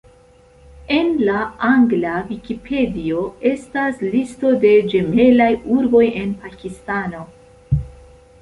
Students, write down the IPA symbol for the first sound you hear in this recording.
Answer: e̞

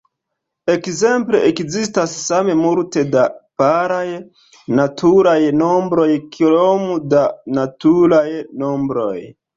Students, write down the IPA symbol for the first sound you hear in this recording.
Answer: e̞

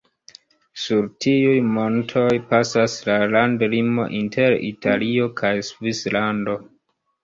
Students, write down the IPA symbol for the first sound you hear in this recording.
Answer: s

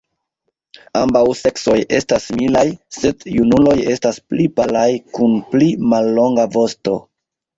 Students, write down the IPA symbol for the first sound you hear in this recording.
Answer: a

